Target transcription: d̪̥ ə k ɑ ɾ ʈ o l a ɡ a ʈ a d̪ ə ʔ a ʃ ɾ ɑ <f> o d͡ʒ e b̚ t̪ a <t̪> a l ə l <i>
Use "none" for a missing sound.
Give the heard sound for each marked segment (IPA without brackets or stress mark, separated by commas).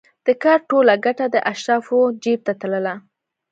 f, t̪, a